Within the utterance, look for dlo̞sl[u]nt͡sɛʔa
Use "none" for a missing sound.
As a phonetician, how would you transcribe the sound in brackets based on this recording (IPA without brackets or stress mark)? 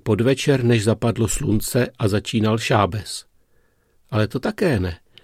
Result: u